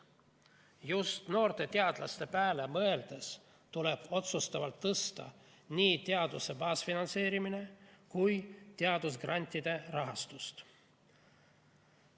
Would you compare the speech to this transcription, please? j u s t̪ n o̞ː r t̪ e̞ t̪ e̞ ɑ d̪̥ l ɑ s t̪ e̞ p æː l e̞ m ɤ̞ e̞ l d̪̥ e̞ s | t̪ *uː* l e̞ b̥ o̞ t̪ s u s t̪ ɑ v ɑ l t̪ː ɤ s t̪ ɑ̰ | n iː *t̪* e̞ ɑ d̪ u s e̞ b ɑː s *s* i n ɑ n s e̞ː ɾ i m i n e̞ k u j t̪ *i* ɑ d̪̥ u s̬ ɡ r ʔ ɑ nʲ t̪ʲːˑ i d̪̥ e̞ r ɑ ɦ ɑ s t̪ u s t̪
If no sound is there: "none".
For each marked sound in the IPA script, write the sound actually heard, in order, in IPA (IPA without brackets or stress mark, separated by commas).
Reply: u, t̪, f, e